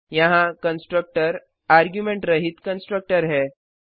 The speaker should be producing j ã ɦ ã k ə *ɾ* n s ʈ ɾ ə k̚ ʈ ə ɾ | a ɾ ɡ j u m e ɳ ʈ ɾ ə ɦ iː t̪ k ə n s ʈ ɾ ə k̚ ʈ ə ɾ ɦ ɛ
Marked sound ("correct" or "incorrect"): incorrect